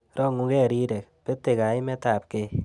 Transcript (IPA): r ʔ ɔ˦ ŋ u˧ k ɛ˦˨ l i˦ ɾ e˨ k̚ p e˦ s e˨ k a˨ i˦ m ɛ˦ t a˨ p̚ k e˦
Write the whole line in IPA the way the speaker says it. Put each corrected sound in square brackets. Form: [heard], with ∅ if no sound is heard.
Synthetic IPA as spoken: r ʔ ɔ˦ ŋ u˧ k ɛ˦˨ [ɾ] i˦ ɾ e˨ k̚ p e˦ [t] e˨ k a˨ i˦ m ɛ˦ t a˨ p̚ k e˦